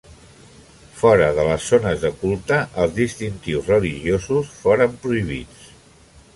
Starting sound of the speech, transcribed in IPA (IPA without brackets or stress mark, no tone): f